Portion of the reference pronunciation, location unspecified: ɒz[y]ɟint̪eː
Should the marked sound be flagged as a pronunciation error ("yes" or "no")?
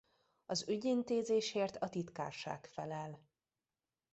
no